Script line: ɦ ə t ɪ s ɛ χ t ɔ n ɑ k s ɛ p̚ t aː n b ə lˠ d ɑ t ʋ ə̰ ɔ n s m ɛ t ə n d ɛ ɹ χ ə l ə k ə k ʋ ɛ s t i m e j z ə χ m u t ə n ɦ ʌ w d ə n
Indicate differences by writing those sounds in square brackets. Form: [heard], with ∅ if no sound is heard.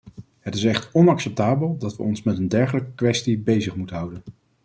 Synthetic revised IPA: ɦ ə t ɪ s ɛ χ t ɔ n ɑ k s ɛ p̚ t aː [∅] b ə lˠ d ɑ t ʋ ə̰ ɔ n s m ɛ t ə n d ɛ ɹ χ ə l ə k ə k ʋ ɛ s t i [b] e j z ə χ m u t ə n ɦ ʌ w d ə n

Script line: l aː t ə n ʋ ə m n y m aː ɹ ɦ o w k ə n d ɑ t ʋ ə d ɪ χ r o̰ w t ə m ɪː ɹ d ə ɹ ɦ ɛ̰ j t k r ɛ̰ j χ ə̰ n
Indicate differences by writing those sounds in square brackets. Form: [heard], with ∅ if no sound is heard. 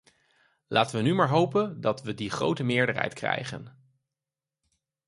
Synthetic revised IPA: l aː t ə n ʋ ə [∅] n y m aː ɹ ɦ o w [p] ə n d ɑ t ʋ ə d [i] χ r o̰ w t ə m ɪː ɹ d ə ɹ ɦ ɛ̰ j t k r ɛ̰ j χ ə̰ n

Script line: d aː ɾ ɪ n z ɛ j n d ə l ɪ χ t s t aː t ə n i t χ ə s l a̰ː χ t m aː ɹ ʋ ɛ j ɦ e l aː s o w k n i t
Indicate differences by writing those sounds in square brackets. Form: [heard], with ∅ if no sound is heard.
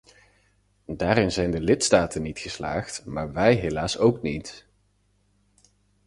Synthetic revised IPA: d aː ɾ ɪ n z ɛ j n d ə l ɪ [∅] t s t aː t ə n i t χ ə s l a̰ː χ t m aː ɹ ʋ ɛ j ɦ e l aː s o w k n i t

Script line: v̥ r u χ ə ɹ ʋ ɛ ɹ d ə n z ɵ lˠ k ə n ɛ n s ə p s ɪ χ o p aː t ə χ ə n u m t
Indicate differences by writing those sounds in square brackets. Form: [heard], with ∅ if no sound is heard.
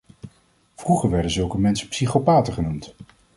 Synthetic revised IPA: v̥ r u χ ə ɹ ʋ ɛ ɹ d ə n z ɵ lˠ k ə [m] ɛ n s ə p s [i] χ o p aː t ə χ ə n u m t

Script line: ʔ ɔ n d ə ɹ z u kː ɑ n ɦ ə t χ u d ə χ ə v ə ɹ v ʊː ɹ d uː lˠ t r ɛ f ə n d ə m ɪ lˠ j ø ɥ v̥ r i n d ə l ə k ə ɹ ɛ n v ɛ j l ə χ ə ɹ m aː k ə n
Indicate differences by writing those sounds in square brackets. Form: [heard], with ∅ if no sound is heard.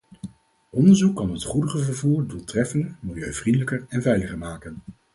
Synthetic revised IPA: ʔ ɔ n d ə ɹ z u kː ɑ n ɦ ə t χ u d ə χ ə v ə ɹ v [uː] ɹ d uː lˠ t r ɛ f ə n d ə m ɪ lˠ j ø ɥ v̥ r i n d ə l ə k ə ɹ ɛ n v ɛ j l ə χ ə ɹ m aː k ə n

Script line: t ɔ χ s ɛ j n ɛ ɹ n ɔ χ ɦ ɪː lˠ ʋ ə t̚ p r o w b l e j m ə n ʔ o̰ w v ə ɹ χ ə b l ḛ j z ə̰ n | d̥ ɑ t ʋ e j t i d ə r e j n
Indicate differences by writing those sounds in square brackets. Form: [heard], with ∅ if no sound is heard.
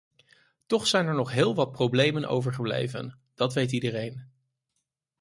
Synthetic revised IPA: t ɔ χ s ɛ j n ɛ ɹ n ɔ χ ɦ ɪː lˠ ʋ [ɑ] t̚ p r o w b l e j m ə n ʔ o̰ w v ə ɹ χ ə b l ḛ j [v] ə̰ n | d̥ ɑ t ʋ e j t i d ə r e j n

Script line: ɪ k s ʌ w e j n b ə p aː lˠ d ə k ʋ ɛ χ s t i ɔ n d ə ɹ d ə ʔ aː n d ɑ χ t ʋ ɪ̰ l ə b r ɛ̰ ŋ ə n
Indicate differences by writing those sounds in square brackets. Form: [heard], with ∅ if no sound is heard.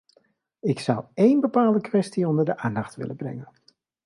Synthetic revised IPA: ɪ k s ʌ w e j n b ə p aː lˠ d ə k ʋ ɛ [∅] s t i ɔ n d ə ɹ d ə ʔ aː n d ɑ χ t ʋ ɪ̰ l ə b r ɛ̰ ŋ ə n

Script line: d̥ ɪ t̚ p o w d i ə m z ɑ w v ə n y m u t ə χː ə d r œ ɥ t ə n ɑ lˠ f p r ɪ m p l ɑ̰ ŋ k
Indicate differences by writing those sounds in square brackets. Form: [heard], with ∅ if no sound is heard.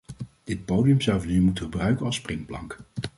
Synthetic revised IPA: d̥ ɪ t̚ p o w d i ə m z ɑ w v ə n y m u t ə [χ] ə [b] r œ ɥ [k] ə n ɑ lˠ [s] p r ɪ [ŋ] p l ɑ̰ ŋ k

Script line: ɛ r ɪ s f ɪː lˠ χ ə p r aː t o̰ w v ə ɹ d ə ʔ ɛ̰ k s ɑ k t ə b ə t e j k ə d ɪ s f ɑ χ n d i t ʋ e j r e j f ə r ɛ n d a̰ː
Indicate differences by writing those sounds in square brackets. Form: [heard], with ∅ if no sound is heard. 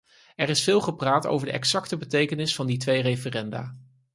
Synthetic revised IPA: ɛ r ɪ s f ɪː lˠ χ ə p r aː t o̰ w v ə ɹ d ə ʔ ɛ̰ k s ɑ k t ə b ə t e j k ə [n] ɪ s f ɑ [∅] n d i t ʋ e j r e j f ə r ɛ n d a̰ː

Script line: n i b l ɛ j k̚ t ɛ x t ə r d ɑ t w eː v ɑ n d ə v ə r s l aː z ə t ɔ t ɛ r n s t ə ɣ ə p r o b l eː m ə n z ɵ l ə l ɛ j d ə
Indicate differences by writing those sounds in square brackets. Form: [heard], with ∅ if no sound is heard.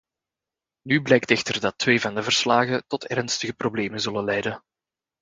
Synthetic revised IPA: n [y] b l ɛ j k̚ t ɛ x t ə r d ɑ t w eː v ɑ n d ə v ə r s l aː [ɣ] ə t ɔ t ɛ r n s t ə ɣ ə p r o b l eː m ə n z ɵ l ə l ɛ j d ə

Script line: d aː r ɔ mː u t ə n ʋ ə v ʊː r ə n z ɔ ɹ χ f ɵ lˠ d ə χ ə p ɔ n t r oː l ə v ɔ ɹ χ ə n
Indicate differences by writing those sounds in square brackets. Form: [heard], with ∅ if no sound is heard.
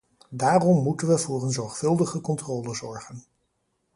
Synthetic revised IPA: d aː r ɔ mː u t ə n ʋ ə v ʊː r ə n z ɔ ɹ χ f ɵ lˠ d ə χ ə [k] ɔ n t r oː l ə [z] ɔ ɹ χ ə n

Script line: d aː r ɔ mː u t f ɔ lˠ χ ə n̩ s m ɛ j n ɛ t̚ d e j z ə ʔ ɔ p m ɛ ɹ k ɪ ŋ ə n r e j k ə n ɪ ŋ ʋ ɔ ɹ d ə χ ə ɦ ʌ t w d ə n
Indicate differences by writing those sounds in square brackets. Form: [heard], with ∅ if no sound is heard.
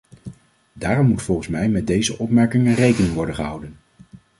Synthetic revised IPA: d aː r ɔ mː u t f ɔ lˠ χ ə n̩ s m ɛ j [m] ɛ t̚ d e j z ə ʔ ɔ p m ɛ ɹ k ɪ ŋ ə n r e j k ə n ɪ ŋ ʋ ɔ ɹ d ə χ ə ɦ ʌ [∅] w d ə n

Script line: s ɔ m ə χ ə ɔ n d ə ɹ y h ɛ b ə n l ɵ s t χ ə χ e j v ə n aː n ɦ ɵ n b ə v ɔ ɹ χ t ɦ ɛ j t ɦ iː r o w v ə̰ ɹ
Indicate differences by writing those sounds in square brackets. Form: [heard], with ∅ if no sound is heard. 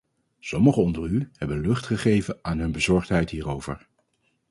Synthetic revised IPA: s ɔ m ə χ ə ɔ n d ə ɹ y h ɛ b ə n l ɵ [χ] t χ ə χ e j v ə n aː n ɦ ɵ n b ə [z] ɔ ɹ χ t ɦ ɛ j t ɦ iː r o w v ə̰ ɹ

